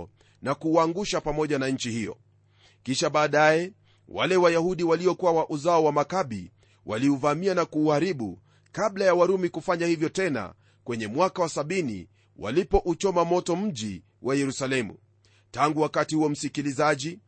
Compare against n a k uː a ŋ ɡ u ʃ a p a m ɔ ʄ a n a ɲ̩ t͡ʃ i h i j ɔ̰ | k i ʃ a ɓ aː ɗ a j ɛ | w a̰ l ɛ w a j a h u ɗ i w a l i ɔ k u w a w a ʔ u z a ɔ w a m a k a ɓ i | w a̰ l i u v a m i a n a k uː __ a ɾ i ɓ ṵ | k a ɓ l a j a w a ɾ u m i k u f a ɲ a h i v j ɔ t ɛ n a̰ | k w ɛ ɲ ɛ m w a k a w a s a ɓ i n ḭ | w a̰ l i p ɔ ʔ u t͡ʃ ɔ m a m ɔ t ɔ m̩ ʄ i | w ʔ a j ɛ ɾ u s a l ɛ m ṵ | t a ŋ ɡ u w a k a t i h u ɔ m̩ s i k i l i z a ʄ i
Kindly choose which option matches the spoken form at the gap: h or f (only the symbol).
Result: h